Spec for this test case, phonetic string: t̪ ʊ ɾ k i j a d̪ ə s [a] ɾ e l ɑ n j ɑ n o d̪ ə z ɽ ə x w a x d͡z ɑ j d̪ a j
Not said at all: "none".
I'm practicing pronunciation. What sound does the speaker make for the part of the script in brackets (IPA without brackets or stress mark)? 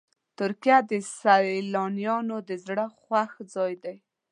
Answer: a